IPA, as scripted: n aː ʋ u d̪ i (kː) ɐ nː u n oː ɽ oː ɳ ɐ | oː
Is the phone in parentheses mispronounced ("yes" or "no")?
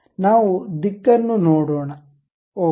no